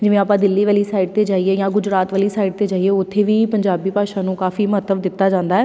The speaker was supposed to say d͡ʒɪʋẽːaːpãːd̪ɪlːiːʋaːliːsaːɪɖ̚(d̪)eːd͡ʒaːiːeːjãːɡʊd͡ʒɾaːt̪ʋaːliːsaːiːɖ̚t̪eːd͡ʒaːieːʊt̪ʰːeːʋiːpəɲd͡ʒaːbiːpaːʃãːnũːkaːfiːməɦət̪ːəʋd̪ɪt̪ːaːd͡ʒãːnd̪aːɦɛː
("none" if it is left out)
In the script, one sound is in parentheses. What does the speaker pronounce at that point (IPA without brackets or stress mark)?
t̪